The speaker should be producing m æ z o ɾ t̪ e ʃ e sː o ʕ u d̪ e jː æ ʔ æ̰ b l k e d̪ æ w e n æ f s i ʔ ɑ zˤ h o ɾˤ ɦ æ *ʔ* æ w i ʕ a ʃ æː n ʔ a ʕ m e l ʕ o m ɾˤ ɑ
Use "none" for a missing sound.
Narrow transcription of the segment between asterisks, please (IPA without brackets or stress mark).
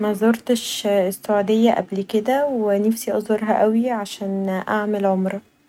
ʔ